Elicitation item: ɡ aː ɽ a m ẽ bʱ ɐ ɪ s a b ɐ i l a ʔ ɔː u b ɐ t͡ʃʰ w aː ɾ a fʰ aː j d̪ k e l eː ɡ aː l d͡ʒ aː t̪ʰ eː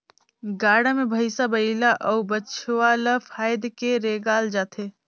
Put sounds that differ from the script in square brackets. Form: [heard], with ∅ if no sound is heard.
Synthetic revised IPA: ɡ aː ɽ a m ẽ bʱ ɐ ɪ s a b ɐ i l a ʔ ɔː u b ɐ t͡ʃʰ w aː [l] a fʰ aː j d̪ k e [ɾ] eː ɡ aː l d͡ʒ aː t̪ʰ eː